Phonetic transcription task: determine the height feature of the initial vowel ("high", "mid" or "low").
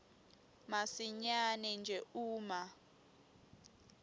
low